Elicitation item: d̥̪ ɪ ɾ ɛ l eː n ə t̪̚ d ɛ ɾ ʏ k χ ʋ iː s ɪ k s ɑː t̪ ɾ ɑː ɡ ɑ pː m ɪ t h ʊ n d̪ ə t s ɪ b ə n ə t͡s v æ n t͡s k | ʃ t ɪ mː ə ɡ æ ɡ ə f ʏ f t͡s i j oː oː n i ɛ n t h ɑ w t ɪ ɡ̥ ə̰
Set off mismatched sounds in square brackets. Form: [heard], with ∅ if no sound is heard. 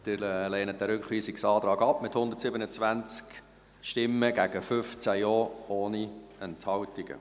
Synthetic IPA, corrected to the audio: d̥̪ ɪ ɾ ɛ l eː n ə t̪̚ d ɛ ɾ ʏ k χ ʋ iː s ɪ k s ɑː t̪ ɾ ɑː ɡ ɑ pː m ɪ t h ʊ n d̪ ə t s ɪ b ə n ə t͡s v æ n t͡s k | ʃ t ɪ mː ə ɡ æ ɡ ə f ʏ f t͡s [æ] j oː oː n i ɛ n t h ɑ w t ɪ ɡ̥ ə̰